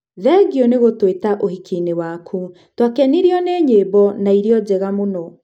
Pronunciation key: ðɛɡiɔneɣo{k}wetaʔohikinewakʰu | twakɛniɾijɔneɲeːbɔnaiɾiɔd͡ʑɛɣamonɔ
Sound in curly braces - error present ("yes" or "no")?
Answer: yes